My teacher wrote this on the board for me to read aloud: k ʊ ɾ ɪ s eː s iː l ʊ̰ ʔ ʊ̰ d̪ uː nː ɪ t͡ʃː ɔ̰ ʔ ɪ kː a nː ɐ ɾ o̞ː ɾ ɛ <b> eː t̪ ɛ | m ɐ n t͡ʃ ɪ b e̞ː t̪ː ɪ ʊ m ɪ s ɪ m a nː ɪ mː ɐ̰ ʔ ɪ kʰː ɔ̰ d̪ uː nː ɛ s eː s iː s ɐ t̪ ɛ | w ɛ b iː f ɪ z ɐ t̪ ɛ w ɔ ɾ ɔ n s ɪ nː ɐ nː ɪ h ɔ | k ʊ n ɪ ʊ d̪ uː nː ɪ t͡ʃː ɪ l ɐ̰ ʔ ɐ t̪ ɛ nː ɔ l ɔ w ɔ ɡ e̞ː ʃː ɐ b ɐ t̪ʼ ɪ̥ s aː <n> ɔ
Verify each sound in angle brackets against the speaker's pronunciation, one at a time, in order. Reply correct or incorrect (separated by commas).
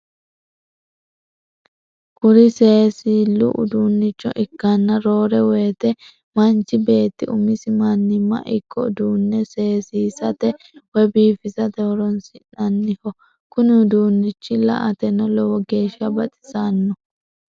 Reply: incorrect, incorrect